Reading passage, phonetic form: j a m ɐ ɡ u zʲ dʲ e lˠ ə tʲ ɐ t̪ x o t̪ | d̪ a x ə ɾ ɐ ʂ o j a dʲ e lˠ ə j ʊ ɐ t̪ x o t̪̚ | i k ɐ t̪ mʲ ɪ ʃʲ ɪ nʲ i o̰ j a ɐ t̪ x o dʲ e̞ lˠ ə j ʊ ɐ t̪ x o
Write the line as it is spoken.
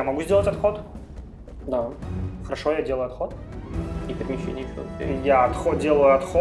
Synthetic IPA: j a m ɐ ɡ u zʲ dʲ e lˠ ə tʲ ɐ t̪ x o t̪ | d̪ a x ə ɾ ɐ ʂ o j a dʲ e lˠ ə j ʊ ɐ t̪ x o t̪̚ | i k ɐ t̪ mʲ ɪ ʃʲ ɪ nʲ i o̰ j a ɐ t̪ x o dʲ e̞ lˠ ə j ʊ ɐ t̪ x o